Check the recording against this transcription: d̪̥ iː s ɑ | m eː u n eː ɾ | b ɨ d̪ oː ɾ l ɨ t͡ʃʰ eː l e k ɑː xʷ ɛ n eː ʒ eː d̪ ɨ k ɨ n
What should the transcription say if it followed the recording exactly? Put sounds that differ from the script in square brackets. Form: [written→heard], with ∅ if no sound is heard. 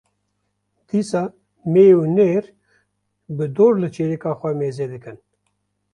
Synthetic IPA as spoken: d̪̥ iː s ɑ | m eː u n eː ɾ | b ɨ d̪ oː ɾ l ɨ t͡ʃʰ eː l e k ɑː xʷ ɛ [n→m] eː [ʒ→z] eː d̪ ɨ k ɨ n